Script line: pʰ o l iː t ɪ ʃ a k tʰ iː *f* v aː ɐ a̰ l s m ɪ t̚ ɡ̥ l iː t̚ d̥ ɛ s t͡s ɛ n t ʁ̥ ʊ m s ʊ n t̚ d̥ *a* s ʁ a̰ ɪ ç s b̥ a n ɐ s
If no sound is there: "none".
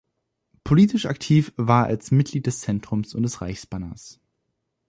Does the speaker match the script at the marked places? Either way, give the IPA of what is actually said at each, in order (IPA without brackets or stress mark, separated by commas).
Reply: f, ɛ